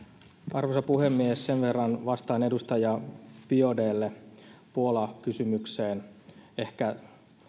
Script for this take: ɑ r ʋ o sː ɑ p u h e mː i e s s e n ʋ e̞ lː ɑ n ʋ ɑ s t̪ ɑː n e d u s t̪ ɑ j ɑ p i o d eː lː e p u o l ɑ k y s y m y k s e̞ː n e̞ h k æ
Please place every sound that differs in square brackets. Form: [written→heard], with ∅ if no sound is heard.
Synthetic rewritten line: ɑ r ʋ o [sː→s] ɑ p u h e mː i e s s e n ʋ e̞ [lː→rː] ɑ n ʋ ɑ s t̪ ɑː n e d u s t̪ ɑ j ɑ p i o d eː lː e p u o l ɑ k y s y m y k s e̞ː n e̞ h k æ